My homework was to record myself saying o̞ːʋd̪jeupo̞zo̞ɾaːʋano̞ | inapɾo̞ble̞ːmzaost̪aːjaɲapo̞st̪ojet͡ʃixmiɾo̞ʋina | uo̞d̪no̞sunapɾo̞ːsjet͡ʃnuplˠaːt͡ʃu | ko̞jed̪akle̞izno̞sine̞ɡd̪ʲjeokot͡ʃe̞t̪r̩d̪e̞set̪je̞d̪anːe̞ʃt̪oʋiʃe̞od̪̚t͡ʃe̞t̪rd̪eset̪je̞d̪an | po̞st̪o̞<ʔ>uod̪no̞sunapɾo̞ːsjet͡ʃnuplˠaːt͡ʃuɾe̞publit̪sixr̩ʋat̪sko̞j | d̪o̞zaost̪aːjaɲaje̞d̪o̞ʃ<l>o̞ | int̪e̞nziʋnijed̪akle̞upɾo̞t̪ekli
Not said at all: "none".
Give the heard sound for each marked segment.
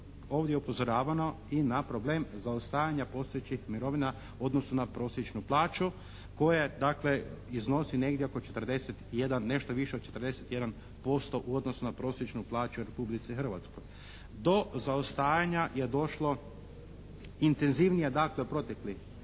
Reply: ʔ, l

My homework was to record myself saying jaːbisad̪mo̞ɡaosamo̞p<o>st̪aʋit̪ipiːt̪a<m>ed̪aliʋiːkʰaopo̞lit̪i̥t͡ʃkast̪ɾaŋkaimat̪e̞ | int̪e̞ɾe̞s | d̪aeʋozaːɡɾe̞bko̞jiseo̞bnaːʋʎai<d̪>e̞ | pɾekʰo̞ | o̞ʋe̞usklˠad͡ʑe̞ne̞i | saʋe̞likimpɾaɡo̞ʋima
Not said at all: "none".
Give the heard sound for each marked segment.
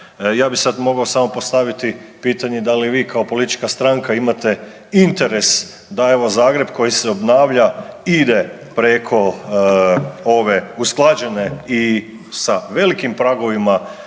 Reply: o, ɲ, d̪

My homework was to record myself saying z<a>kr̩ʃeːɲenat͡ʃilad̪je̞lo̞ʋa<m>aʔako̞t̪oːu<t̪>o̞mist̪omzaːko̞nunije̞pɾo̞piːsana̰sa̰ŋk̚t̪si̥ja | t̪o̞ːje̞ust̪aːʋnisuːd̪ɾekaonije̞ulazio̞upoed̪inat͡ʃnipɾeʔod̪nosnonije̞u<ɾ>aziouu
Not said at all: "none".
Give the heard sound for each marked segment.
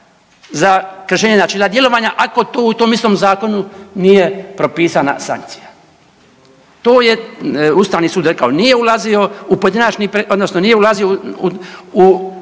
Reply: a, ɲ, t̪, l

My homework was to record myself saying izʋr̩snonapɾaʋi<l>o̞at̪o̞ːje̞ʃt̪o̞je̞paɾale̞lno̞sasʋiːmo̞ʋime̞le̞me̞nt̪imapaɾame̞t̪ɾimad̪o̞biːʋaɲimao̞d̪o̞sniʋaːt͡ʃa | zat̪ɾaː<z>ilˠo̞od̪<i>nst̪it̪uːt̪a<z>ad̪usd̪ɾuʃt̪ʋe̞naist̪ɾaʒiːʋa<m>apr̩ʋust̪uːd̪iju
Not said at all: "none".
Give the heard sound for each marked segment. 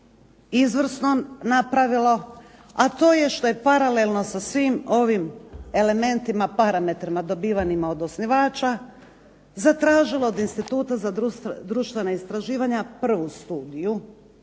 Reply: l, ʒ, i, z, ɲ

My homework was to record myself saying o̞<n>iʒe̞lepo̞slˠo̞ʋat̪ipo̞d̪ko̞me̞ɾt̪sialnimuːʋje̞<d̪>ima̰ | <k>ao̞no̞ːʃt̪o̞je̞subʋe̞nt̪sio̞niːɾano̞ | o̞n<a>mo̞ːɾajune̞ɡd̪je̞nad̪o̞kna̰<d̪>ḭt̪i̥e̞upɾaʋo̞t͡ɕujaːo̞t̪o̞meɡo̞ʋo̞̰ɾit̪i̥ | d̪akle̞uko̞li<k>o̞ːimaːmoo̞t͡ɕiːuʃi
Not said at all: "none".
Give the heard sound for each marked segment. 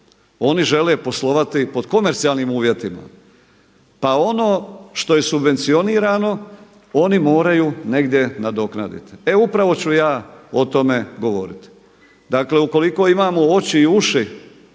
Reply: n, t̪, p, i, d̪, k

